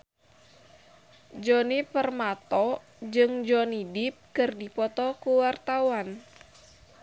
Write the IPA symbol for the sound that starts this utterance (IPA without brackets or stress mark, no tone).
d͡ʒ